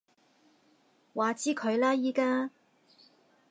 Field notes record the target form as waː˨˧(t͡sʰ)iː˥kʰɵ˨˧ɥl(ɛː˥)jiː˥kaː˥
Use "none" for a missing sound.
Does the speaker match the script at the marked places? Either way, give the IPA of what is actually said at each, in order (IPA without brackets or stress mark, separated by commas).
t͡s, aː˥